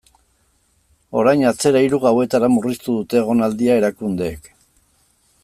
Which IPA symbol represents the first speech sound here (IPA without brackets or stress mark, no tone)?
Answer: o̞